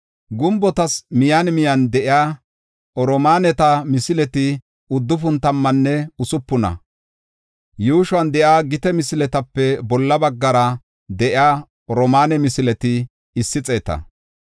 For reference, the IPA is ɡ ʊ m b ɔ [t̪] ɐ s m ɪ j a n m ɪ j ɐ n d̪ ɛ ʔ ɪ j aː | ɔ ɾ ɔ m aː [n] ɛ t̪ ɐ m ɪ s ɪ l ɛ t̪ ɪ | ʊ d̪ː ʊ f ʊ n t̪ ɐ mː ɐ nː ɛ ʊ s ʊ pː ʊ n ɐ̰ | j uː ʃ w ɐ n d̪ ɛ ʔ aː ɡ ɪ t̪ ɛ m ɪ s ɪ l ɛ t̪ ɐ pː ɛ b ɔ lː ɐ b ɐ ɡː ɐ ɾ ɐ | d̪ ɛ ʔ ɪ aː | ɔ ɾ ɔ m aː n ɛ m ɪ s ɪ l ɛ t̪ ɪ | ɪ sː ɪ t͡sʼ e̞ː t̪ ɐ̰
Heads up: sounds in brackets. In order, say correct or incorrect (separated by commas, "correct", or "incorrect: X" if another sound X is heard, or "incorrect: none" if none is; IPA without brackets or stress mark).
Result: correct, correct